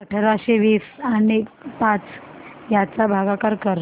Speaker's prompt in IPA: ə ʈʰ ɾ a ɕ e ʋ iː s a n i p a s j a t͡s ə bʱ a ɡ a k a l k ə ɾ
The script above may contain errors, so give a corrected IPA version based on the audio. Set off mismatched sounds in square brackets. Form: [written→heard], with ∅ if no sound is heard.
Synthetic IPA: ə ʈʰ ɾ a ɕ e ʋ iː s a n i p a [s→t͡s] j a t͡s [ə→a] bʱ a ɡ a k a [l→ɾ] k ə ɾ